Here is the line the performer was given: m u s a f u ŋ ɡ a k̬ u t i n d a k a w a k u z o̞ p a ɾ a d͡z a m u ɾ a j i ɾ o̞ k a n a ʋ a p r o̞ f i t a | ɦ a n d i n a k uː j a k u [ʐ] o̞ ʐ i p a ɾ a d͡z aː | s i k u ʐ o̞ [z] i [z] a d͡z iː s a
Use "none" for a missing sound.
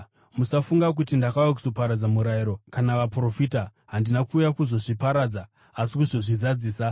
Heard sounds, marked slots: z, ʐ, z

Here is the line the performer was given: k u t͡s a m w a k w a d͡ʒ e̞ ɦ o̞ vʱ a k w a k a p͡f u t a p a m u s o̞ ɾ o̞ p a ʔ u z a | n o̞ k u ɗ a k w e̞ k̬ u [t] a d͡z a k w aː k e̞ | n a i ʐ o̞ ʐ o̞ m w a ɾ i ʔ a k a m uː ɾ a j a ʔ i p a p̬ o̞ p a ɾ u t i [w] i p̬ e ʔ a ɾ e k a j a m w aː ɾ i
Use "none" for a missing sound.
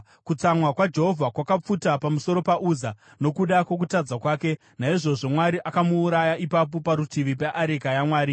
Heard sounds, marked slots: t, ʋ

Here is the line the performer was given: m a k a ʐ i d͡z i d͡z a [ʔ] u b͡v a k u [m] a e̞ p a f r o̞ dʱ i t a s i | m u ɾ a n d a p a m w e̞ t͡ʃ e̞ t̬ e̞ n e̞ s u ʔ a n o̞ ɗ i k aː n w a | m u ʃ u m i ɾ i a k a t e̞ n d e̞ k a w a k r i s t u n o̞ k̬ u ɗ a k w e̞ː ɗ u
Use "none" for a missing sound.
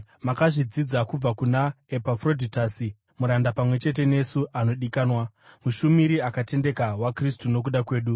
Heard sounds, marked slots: k, n

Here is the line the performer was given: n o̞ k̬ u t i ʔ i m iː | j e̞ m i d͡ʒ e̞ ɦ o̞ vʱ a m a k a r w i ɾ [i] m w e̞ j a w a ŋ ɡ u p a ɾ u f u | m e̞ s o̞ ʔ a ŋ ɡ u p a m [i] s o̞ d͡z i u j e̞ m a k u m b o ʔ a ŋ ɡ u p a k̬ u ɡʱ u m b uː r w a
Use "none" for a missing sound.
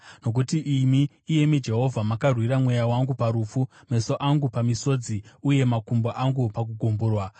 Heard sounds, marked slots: a, i

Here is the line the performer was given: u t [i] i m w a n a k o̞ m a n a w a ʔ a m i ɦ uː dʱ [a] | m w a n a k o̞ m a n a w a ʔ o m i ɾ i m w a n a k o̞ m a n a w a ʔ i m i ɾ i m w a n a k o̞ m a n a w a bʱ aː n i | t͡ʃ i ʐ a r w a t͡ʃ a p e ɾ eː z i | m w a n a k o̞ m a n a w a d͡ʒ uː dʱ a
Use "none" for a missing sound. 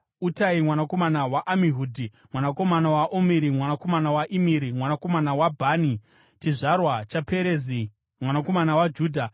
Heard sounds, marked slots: a, i

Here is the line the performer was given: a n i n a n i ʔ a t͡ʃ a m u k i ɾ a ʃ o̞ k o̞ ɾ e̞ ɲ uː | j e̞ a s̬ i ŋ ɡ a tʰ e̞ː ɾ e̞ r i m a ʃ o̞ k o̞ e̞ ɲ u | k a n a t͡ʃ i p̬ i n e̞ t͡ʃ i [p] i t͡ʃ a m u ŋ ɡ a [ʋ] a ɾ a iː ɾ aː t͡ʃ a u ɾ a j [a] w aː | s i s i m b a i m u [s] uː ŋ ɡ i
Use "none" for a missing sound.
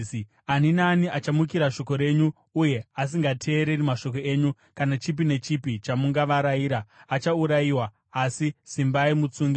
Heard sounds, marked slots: p, ʋ, i, t͡s

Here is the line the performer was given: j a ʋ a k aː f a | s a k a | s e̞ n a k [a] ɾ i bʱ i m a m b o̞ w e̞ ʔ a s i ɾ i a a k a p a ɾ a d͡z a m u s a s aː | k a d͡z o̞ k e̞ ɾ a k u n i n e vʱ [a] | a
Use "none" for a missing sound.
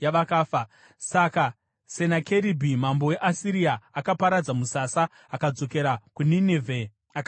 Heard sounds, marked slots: e, e

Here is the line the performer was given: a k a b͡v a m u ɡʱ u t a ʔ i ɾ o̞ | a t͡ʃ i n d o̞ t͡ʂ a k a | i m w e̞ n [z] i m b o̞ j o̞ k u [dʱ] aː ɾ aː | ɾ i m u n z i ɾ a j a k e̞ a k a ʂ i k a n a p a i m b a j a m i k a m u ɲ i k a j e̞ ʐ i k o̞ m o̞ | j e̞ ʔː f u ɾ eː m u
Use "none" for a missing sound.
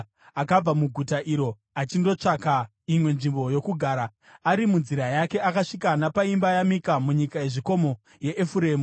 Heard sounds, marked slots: ʐ, ɡʱ

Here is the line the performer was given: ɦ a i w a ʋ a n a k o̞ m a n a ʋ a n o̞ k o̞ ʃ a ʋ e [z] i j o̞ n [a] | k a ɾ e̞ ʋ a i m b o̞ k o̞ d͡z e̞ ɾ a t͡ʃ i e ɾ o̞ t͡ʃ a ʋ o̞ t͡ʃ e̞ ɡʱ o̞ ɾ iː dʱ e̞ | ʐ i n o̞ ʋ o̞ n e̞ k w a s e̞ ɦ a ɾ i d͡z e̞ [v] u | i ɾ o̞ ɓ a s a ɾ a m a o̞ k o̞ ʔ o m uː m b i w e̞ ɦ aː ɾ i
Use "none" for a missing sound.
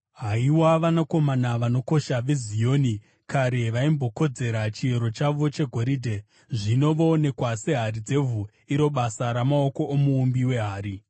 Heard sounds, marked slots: z, i, v

